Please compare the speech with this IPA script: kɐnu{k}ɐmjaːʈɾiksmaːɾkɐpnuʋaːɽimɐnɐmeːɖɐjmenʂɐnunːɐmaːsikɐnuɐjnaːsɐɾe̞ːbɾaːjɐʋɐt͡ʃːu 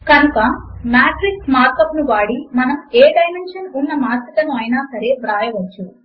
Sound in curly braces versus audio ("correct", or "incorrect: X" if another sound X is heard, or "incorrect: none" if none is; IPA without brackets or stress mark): correct